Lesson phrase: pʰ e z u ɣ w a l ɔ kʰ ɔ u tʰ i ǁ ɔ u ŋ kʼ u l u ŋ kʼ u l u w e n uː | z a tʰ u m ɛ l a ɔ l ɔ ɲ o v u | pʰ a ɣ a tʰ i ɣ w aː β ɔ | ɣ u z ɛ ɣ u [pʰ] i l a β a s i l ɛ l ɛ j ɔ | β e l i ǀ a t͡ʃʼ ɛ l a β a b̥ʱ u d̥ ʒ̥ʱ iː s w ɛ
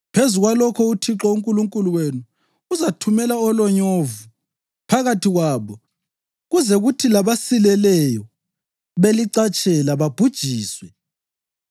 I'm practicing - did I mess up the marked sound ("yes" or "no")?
yes